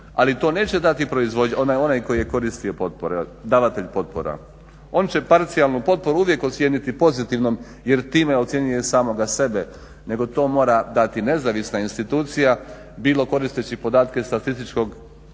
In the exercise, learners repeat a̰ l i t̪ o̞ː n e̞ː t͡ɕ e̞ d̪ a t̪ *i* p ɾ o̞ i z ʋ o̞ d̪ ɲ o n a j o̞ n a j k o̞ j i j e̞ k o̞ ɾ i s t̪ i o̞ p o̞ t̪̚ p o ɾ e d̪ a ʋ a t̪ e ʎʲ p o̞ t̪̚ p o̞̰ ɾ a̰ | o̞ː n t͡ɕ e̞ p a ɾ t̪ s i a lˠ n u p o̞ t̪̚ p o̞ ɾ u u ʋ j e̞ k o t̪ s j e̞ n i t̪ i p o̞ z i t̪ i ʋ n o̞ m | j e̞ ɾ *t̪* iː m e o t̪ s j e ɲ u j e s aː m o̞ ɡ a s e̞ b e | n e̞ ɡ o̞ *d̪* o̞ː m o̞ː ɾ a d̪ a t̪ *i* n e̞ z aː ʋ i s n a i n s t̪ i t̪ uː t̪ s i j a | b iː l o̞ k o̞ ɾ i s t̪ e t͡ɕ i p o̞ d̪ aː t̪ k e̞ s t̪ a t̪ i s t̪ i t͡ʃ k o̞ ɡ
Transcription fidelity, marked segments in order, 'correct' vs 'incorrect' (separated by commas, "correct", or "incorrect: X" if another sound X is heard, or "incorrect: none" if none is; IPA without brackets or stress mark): correct, correct, incorrect: t̪, correct